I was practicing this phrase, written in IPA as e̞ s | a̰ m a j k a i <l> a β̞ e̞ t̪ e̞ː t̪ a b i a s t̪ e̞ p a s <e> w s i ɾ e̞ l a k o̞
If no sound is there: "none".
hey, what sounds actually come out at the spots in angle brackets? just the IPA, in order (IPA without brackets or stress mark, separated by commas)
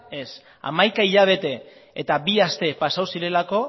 ʎ, a